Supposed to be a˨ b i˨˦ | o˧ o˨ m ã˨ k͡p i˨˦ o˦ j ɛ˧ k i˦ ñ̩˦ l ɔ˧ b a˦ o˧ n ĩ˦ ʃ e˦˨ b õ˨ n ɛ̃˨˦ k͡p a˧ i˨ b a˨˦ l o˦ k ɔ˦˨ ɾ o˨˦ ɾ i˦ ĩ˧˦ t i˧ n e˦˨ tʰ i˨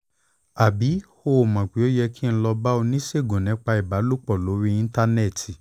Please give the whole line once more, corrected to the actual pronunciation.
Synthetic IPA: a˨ b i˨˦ | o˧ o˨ m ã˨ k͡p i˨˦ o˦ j ɛ˧ k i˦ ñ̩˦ l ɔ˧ b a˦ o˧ n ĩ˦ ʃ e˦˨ ɡ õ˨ n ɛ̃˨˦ k͡p a˧ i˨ b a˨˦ l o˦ k͡p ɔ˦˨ l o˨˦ ɾ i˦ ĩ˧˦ t a˧ n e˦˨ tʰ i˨